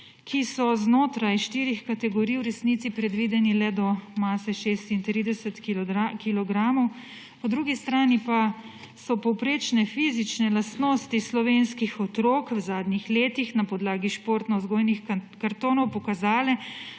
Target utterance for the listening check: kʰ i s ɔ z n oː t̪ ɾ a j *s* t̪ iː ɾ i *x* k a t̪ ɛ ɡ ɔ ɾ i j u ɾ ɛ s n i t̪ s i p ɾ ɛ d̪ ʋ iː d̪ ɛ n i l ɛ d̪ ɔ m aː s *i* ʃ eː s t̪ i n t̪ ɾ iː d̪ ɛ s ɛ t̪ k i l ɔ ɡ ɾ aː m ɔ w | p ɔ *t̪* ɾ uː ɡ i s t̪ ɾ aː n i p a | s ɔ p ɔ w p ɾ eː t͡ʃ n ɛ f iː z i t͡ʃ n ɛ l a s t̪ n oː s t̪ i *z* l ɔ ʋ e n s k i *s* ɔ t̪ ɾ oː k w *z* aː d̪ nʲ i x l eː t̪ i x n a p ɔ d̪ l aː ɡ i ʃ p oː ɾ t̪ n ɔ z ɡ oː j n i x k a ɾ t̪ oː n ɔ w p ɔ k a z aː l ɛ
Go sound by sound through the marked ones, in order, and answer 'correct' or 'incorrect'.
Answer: incorrect: ʃ, correct, incorrect: ɛ, incorrect: d̪, incorrect: s, incorrect: x, correct

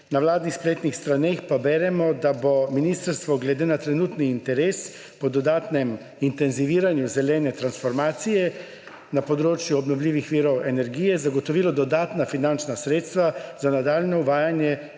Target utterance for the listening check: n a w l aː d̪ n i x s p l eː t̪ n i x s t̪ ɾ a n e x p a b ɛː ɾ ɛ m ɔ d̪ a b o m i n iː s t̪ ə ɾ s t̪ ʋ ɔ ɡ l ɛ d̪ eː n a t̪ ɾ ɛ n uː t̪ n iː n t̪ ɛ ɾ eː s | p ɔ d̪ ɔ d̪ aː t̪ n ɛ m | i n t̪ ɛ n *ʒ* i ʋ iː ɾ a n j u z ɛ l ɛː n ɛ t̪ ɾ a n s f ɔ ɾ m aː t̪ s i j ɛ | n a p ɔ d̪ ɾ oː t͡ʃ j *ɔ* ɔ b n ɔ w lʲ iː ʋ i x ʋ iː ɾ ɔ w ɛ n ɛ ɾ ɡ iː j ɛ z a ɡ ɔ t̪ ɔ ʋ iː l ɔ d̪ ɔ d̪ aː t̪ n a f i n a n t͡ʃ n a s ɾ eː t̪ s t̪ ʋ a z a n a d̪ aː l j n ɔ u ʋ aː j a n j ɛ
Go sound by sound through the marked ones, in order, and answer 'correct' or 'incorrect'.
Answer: incorrect: z, incorrect: u

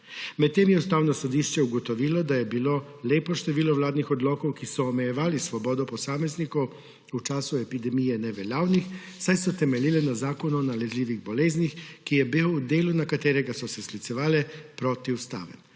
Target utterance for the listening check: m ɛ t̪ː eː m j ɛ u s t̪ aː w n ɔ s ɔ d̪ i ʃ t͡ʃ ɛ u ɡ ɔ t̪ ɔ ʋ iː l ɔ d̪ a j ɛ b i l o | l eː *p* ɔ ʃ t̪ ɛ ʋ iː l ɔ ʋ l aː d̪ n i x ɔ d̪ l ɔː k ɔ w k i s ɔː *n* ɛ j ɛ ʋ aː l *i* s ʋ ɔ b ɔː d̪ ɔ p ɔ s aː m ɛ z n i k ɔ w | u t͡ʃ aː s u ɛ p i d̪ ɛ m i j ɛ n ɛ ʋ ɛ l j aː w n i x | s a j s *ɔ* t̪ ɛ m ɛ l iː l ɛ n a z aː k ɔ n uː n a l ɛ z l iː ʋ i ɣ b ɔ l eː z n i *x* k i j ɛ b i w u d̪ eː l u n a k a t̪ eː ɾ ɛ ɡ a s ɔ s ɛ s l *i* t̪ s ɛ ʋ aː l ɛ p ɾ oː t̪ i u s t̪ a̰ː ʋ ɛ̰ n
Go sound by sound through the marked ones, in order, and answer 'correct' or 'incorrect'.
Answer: correct, incorrect: m, correct, correct, correct, correct

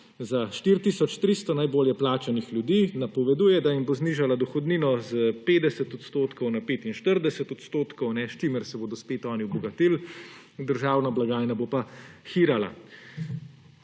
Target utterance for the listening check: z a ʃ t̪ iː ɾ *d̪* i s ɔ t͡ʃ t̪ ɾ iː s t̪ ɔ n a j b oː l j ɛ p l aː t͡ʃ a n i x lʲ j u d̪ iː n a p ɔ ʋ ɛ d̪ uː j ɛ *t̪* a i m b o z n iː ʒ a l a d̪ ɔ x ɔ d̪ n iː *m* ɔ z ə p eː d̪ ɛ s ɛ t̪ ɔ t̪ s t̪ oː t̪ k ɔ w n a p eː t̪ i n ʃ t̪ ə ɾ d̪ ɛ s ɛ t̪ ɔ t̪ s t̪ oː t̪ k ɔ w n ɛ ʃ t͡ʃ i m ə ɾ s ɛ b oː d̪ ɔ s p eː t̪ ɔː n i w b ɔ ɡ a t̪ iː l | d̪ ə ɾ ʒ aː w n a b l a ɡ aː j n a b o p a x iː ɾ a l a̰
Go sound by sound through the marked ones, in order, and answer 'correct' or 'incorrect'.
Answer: incorrect: t̪, incorrect: d̪, incorrect: n

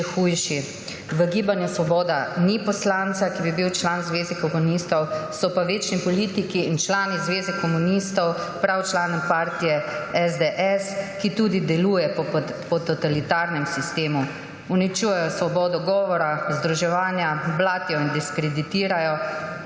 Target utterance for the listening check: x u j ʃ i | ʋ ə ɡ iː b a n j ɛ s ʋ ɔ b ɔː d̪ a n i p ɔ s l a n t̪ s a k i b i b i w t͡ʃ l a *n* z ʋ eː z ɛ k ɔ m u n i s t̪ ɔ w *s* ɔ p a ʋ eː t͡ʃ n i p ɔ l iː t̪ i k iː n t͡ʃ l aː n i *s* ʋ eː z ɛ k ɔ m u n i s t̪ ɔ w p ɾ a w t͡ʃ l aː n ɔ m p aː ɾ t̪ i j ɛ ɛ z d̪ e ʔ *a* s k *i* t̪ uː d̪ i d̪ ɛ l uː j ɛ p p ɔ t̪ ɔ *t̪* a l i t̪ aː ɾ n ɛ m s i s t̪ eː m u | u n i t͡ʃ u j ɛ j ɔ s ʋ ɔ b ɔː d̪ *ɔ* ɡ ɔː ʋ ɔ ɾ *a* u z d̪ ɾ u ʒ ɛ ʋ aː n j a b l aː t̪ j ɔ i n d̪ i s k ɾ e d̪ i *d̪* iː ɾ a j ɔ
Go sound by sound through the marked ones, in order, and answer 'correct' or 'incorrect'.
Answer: correct, correct, incorrect: z, incorrect: ɛ, correct, correct, correct, correct, incorrect: t̪

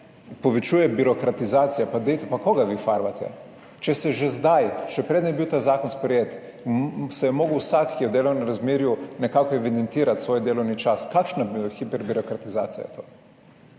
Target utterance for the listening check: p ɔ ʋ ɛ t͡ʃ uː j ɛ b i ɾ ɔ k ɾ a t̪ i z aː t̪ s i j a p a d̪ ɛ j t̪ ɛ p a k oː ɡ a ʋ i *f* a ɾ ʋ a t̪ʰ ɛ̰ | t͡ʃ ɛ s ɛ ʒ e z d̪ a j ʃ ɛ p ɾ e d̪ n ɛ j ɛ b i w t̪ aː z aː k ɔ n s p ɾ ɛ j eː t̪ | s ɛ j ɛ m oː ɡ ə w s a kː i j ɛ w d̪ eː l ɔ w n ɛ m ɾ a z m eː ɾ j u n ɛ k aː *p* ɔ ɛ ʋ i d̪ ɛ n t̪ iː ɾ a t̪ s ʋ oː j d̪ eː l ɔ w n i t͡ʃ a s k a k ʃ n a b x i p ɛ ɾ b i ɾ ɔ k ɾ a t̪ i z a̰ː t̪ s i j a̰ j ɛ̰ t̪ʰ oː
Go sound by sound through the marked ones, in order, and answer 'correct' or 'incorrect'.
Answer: correct, incorrect: k

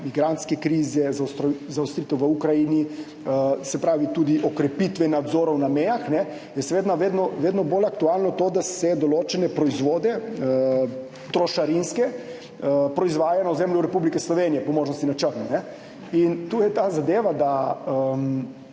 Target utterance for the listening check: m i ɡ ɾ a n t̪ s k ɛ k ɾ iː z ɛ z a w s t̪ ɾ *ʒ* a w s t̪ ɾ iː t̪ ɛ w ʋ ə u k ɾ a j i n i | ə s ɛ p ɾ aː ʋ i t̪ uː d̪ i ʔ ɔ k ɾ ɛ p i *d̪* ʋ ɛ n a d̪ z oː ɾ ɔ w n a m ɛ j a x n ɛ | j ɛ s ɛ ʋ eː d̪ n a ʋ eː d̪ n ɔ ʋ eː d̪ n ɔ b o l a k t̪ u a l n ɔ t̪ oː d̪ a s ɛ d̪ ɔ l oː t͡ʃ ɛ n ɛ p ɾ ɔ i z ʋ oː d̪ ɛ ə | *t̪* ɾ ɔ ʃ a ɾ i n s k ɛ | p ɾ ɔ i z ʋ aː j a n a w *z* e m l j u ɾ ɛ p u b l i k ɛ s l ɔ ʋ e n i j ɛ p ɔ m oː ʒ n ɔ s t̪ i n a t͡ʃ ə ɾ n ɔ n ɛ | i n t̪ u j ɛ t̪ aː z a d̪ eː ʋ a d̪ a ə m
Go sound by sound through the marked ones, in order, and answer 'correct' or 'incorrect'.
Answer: incorrect: z, incorrect: t̪, correct, correct

